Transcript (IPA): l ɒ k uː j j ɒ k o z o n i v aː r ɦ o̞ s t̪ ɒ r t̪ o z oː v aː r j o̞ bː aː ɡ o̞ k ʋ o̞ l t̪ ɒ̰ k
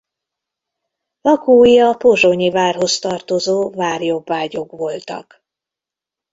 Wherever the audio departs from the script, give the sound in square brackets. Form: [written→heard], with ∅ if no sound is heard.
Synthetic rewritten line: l ɒ k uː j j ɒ [k→p] o [z→ʒ] o [n→ɲ] i v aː r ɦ o̞ s t̪ ɒ r t̪ o z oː v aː r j o̞ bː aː [ɡ→ɟ] o̞ k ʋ o̞ l t̪ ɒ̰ k